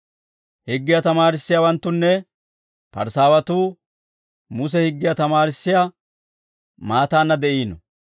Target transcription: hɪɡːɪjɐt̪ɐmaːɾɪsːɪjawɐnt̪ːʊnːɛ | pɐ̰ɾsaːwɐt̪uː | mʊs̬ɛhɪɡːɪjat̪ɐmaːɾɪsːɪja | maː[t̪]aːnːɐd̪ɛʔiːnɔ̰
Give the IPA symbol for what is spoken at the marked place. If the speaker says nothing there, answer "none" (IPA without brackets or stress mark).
t̪